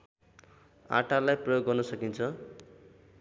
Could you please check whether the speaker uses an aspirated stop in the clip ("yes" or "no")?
yes